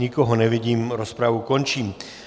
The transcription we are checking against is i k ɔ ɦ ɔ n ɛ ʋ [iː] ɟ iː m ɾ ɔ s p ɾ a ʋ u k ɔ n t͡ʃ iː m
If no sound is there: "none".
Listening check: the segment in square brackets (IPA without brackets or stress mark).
i